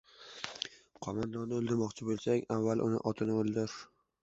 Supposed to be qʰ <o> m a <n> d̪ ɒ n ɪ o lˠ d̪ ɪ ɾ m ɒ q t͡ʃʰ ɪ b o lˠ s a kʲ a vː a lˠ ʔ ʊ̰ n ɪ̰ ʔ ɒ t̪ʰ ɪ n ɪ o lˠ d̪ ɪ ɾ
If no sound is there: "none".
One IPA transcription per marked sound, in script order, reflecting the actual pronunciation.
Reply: ɒ, n

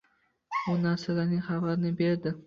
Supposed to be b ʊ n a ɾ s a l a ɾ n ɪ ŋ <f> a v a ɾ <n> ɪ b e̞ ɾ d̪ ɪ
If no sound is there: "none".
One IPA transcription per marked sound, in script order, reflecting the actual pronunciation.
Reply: χ, n

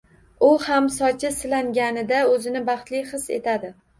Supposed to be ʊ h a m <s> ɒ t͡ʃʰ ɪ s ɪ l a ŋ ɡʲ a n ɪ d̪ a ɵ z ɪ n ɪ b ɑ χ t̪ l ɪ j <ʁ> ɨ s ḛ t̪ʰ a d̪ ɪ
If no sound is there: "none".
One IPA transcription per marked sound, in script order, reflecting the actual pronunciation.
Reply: s, χ

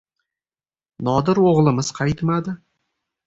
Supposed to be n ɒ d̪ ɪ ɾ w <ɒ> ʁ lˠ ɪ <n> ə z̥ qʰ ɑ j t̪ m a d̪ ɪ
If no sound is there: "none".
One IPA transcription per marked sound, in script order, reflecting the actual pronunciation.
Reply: o, m

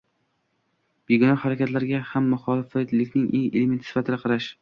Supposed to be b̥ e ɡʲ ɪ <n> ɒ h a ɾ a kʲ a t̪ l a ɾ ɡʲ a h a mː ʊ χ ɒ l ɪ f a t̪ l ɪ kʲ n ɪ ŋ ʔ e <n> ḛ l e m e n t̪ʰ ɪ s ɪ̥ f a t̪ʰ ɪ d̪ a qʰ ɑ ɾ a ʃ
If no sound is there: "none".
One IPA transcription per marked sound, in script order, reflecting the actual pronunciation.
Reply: n, ŋ

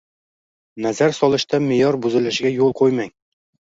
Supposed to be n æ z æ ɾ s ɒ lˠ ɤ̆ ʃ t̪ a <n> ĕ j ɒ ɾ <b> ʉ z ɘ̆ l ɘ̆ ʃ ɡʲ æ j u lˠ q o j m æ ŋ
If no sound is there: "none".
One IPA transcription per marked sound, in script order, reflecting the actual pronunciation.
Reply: m, b

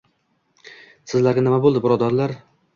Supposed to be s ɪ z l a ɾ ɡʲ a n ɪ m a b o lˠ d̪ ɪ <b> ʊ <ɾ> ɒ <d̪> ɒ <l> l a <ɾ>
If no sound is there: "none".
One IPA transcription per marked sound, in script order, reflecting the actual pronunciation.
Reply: b, ɾ, d̪, ɾ, ɾ

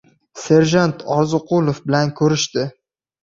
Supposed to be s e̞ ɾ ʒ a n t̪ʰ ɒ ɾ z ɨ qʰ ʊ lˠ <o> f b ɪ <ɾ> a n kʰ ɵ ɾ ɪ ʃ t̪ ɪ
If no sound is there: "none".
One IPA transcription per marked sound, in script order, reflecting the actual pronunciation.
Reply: o, l

